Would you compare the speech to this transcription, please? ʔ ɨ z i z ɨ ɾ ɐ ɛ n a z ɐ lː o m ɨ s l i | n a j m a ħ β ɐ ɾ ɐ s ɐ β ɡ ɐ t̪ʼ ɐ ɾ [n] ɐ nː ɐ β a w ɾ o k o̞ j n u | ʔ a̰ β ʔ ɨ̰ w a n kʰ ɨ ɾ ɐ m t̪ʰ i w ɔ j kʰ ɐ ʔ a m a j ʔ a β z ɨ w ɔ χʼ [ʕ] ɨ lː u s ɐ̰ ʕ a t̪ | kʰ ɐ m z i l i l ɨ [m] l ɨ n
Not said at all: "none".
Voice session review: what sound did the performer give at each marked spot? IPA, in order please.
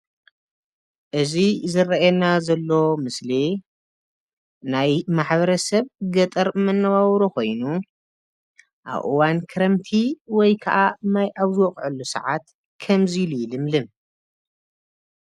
m, ʕ, m

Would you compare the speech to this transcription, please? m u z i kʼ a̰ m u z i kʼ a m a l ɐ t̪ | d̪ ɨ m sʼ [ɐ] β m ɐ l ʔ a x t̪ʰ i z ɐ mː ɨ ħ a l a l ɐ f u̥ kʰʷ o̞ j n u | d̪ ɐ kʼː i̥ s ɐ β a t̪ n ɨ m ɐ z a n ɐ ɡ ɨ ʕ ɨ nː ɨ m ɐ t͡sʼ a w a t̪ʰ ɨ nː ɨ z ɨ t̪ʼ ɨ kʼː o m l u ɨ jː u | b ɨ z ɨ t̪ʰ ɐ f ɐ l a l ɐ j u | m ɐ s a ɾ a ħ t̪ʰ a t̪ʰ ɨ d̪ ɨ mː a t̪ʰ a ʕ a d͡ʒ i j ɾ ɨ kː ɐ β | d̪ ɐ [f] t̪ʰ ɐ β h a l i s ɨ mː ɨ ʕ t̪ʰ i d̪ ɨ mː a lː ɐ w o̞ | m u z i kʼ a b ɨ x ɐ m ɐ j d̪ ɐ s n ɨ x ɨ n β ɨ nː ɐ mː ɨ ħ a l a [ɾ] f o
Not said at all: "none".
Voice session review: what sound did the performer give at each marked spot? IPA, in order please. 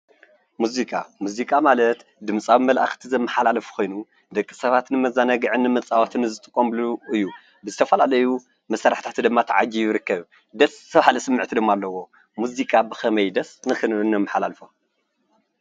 a, s, l

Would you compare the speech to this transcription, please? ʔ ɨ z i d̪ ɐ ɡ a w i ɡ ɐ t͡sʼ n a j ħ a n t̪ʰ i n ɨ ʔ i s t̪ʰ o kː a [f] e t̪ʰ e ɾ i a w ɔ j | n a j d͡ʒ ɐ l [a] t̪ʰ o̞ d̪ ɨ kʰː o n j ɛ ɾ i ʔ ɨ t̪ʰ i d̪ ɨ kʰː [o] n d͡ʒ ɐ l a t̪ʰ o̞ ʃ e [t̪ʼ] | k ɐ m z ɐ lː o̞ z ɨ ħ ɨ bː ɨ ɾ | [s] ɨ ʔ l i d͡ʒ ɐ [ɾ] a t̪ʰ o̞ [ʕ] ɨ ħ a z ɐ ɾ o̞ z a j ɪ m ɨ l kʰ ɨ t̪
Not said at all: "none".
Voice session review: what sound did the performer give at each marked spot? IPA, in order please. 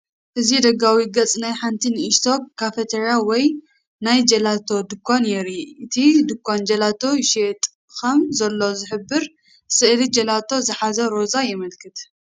f, a, o, t̪ʼ, s, l, z

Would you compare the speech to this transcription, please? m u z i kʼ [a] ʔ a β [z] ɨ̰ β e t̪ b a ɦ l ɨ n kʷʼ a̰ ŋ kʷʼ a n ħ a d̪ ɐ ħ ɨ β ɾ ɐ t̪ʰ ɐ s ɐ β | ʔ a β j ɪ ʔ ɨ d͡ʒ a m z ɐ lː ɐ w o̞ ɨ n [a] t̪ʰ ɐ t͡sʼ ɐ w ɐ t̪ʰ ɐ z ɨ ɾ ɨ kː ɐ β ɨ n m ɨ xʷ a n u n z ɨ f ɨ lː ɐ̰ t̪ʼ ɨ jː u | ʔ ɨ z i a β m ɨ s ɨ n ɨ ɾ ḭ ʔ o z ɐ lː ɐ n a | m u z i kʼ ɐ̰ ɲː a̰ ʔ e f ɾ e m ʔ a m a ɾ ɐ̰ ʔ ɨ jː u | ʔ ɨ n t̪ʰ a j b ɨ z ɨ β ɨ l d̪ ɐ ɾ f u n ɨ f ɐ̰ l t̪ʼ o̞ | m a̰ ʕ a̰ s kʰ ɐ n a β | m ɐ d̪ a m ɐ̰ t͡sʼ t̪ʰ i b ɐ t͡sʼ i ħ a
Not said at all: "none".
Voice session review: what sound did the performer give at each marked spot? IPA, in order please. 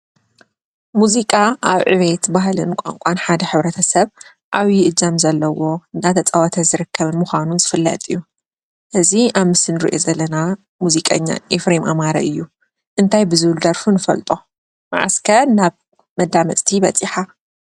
a, ʕ, a

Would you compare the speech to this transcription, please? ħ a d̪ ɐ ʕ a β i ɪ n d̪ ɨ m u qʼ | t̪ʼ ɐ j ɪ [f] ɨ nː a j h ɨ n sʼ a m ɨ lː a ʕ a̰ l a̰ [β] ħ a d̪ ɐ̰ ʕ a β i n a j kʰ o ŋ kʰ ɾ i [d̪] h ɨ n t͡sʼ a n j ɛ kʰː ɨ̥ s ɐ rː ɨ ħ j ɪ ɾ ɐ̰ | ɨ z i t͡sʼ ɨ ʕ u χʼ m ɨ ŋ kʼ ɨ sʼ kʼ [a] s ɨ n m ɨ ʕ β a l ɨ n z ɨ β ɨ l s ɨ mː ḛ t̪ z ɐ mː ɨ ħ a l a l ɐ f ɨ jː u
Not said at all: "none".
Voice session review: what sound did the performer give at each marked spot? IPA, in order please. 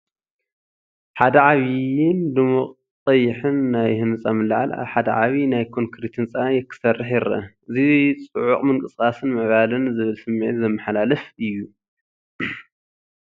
ħ, β, t̪, a

